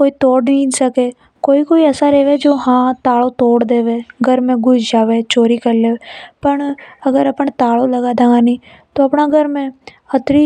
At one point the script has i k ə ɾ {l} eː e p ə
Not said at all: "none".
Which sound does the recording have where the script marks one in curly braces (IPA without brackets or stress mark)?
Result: l